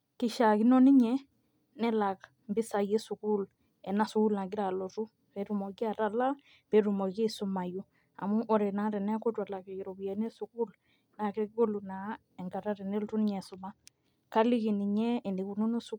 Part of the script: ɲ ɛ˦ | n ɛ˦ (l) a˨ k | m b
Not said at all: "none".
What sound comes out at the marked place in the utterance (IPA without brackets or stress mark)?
l